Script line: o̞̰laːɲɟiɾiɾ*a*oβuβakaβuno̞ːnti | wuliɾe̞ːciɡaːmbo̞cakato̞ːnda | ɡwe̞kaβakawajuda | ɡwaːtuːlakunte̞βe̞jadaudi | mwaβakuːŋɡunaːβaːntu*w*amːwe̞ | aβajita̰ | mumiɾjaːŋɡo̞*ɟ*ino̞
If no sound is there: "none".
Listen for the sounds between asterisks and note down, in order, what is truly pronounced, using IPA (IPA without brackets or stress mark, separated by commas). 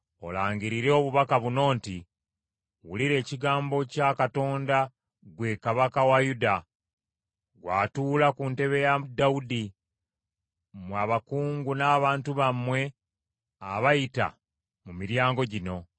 e, β, ɟ